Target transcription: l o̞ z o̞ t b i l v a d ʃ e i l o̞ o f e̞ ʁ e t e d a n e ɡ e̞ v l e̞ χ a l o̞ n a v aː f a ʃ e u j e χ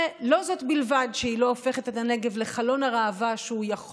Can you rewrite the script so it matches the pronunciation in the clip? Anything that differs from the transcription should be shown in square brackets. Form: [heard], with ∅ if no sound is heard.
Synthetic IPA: l o̞ z o̞ t b i l v a d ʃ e i l o̞ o f e̞ [χ] e t e [t] a n e ɡ e̞ v l e̞ χ a l o̞ n a [ʁ] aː [v] a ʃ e u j [a] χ